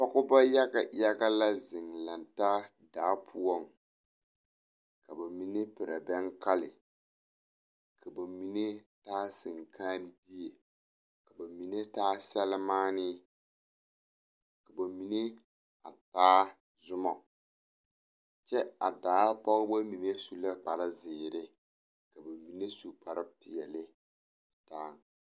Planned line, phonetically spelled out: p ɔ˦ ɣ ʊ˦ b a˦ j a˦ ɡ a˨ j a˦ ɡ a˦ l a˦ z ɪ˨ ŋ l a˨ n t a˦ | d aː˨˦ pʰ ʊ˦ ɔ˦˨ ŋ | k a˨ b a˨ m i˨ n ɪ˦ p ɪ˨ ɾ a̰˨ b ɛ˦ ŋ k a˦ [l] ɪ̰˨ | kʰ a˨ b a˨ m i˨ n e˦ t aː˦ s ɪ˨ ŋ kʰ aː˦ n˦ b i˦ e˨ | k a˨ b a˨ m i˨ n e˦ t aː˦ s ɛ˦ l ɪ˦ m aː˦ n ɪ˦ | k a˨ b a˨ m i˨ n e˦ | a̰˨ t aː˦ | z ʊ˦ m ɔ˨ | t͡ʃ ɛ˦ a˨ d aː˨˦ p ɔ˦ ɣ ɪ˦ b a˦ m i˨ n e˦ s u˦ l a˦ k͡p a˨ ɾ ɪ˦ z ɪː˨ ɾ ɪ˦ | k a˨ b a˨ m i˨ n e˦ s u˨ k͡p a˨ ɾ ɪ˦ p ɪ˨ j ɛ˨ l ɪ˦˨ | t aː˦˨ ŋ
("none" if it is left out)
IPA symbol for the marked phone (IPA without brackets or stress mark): l